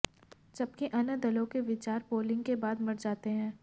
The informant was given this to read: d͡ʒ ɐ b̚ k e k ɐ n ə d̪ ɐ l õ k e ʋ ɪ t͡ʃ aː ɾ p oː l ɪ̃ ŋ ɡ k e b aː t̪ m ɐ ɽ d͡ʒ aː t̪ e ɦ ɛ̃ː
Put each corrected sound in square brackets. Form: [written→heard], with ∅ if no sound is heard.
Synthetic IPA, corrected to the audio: d͡ʒ ɐ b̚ k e [k→ʔ] ɐ n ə d̪ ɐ l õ k e ʋ ɪ t͡ʃ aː ɾ p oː l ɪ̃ ŋ ɡ k e b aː [t̪→d̪] m ɐ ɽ d͡ʒ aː t̪ e ɦ ɛ̃ː